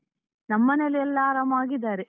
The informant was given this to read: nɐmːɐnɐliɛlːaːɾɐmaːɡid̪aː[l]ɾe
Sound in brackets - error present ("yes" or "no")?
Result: yes